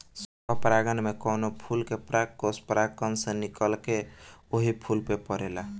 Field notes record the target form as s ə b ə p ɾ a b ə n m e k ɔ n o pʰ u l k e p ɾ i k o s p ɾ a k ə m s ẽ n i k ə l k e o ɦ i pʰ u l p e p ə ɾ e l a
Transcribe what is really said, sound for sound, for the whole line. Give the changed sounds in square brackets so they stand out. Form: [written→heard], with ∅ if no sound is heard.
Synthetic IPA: s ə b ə p ɾ a [b→ɡ] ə n m e k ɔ n o pʰ u l k e p ɾ [i→a] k o s p ɾ a k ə [m→n] s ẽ n i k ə l k e o ɦ i pʰ u l p e p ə ɾ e l a